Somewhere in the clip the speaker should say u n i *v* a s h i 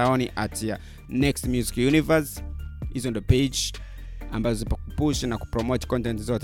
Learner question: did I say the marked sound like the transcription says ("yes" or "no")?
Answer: yes